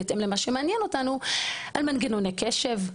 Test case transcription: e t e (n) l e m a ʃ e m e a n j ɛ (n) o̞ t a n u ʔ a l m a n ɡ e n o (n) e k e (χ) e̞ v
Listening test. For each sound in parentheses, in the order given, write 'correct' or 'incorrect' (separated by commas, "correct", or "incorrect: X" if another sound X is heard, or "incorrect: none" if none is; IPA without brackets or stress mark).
incorrect: m, correct, correct, incorrect: ʃ